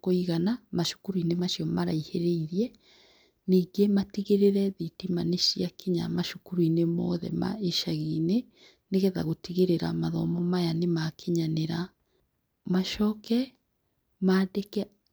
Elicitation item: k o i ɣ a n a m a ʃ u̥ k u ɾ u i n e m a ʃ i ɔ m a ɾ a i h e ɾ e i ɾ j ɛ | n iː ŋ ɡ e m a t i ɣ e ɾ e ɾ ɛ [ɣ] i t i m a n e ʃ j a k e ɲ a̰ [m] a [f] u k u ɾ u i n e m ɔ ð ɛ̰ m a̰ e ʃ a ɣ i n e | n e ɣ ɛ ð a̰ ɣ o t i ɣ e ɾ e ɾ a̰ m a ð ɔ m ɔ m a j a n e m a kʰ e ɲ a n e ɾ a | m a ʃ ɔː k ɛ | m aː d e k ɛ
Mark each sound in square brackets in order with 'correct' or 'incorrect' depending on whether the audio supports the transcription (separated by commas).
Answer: incorrect, correct, incorrect